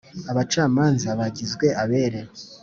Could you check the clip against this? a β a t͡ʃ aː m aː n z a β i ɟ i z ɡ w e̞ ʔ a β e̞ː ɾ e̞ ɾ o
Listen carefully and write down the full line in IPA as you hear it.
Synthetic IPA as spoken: a β a t͡ʃ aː m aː n z a β a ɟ i z ɡ w e̞ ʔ a β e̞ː ɾ e̞ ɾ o